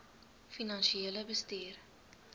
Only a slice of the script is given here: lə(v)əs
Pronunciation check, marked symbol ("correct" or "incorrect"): incorrect